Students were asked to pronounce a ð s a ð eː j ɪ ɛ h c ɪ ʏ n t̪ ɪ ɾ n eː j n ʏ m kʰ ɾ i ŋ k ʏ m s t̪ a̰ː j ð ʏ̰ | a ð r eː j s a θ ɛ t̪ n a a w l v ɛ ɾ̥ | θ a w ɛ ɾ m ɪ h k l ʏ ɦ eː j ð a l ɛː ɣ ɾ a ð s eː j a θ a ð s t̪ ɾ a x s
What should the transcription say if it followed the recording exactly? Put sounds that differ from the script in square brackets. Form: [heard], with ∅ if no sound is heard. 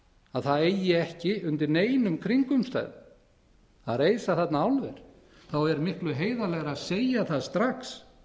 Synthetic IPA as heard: a ð [θ] a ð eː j ɪ ɛ h c ɪ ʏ n t̪ ɪ ɾ n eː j n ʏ m kʰ ɾ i ŋ k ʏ m s t̪ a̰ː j ð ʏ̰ | a ð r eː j s a θ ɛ t̪ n a a w l v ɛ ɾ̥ | θ a w ɛ ɾ m ɪ h k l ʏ ɦ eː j ð a l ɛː ɣ ɾ a ð s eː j a θ a ð s t̪ ɾ a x s

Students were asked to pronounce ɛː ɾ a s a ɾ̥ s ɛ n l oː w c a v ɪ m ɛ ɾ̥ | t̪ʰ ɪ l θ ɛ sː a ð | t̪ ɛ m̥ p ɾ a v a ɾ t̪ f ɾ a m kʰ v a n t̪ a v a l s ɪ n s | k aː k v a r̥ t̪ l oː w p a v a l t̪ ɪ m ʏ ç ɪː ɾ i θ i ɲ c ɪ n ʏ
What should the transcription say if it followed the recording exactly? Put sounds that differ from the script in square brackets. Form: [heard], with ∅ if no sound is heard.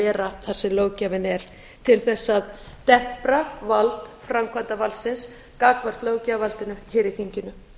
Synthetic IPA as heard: ɛː ɾ a [θ] a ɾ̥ s ɛ [m] l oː w c a v ɪ [n] ɛ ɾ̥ | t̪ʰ ɪ l θ ɛ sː a ð | t̪ ɛ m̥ p ɾ a v a [l] t̪ f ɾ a m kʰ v a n t̪ a v a l s ɪ n s | k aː k v a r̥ t̪ l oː w [c] a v a l t̪ ɪ [n] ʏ ç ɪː ɾ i θ i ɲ c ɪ n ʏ

